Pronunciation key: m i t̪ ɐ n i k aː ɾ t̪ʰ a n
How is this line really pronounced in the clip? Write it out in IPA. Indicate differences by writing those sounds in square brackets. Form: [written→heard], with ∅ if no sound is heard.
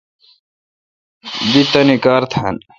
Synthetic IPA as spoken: [m→b] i t̪ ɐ n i k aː ɾ t̪ʰ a n